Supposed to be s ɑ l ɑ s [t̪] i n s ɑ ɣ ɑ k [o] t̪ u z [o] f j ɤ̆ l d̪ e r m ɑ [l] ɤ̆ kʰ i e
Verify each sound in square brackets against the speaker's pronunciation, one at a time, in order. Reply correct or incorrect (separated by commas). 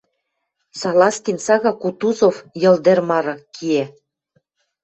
correct, incorrect, correct, incorrect